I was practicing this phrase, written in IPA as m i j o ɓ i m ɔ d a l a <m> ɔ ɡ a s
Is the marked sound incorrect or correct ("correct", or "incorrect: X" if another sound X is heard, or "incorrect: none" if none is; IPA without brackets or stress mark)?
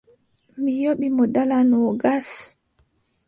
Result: incorrect: n